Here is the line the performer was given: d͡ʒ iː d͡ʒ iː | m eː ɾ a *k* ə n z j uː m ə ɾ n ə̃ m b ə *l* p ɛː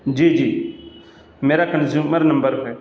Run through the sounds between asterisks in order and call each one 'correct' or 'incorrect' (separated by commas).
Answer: correct, incorrect